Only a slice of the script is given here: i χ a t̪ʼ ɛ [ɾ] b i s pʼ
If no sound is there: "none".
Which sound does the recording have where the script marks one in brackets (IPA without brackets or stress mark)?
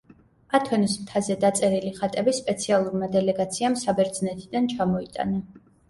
none